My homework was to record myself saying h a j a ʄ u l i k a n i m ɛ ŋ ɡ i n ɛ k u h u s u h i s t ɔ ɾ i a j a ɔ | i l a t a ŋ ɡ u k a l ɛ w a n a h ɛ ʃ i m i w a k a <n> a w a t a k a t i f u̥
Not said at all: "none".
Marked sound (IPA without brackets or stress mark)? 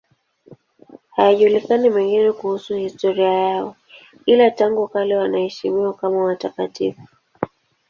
m